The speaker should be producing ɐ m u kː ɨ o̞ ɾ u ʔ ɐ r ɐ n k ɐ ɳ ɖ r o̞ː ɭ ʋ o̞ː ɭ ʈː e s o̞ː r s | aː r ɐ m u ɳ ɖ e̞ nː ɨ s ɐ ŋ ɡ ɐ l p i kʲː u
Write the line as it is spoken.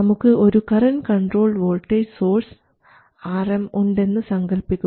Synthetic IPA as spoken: ɐ m u kː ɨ o̞ ɾ u k ɐ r ɐ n k ɐ ɳ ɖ r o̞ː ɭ ʋ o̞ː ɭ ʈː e s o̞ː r s | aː r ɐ m u ɳ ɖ e̞ nː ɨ s ɐ ŋ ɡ ɐ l p i kʲː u

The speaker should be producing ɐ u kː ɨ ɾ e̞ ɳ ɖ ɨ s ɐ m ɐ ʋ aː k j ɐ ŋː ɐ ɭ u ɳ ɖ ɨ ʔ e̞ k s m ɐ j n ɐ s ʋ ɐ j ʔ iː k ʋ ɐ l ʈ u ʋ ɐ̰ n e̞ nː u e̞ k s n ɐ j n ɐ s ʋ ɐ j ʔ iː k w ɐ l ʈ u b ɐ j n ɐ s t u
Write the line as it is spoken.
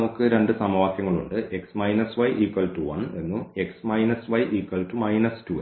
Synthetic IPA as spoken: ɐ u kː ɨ ɾ e̞ ɳ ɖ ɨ s ɐ m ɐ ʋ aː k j ɐ ŋː ɐ ɭ u ɳ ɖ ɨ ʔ e̞ k s m ɐ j n ɐ s ʋ ɐ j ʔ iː k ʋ ɐ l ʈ u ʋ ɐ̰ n e̞ nː u e̞ k s m ɐ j n ɐ s ʋ ɐ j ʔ iː k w ɐ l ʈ u m ɐ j n ɐ s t u

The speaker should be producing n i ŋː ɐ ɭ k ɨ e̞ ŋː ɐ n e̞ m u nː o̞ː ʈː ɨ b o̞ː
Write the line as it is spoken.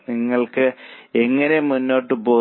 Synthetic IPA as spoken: n i ŋː ɐ ɭ k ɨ e̞ ŋː ɐ n e̞ m u nː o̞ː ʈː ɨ b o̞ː

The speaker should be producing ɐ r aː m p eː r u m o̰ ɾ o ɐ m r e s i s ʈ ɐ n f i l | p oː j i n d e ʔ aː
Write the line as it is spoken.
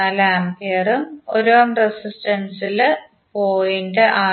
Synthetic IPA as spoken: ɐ l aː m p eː r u m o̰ ɾ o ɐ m r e s i s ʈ ɐ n s i l | p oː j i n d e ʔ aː

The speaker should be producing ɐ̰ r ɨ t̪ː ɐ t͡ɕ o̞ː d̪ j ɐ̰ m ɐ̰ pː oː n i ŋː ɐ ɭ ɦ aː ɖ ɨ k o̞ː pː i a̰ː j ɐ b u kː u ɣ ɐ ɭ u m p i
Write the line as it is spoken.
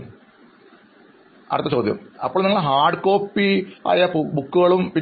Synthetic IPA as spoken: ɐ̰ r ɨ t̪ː ɐ t͡ɕ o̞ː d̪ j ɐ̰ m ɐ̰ pː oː n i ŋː ɐ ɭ ɦ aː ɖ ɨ k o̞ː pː i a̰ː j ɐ b u kː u ɣ ɐ ɭ u m p i

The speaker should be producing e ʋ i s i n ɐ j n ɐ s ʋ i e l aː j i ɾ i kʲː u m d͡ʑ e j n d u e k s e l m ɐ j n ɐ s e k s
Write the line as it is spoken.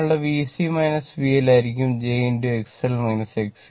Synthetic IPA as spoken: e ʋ i s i m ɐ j n ɐ s ʋ i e l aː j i ɾ i kʲː u m d͡ʑ e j n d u e k s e l m ɐ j n ɐ s e k s

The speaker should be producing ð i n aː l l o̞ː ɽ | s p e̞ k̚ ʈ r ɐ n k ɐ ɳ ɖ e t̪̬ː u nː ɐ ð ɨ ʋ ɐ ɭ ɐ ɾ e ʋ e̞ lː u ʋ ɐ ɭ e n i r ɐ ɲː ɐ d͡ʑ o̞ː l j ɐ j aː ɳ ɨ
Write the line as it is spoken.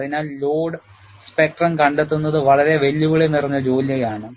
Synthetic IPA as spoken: ð i n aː l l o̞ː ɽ | s p e̞ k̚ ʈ r ɐ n k ɐ ɳ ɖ e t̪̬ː u nː ɐ ð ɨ ʋ ɐ ɭ ɐ ɾ e ʋ e̞ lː u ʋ ɐ ɭ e n i r ɐ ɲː ɐ d͡ʑ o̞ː l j ɐ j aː ɳ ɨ

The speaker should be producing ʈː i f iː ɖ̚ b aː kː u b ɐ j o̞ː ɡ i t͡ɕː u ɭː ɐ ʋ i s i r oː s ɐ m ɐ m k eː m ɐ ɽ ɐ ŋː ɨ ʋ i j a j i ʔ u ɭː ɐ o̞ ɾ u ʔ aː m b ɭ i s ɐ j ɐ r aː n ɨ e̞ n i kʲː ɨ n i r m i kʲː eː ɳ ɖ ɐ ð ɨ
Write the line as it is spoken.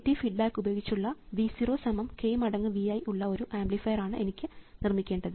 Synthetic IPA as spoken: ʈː i f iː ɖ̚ b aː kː u b ɐ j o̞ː ɡ i t͡ɕː u ɭː ɐ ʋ i s i r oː s ɐ m ɐ m k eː m ɐ ɽ ɐ ŋː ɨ ʋ i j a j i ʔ u ɭː ɐ o̞ ɾ u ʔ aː m b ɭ i f ɐ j ɐ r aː ɳ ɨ e̞ n i kʲː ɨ n i r m i kʲː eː ɳ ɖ ɐ ð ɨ

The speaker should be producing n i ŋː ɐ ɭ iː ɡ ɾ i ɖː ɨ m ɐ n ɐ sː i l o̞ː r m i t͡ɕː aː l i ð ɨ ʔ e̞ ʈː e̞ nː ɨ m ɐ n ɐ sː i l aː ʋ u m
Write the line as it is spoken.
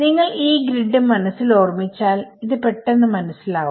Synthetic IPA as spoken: n i ŋː ɐ ɭ iː ɡ ɾ i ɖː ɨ m ɐ n ɐ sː i l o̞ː r m i t͡ɕː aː l i ð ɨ p e̞ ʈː e̞ nː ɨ m ɐ n ɐ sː i l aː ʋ u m

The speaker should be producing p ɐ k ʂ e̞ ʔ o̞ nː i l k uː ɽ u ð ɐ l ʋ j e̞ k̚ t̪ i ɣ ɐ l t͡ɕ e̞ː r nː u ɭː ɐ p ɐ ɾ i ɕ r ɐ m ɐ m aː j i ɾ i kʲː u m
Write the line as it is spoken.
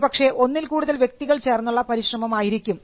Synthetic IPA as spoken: p ɐ k ʂ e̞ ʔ o̞ nː i l k uː ɽ u ð ɐ l ʋ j e̞ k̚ t̪ i ɣ ɐ ɭ t͡ɕ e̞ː r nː u ɭː ɐ p ɐ ɾ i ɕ r ɐ m ɐ m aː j i ɾ i kʲː u m

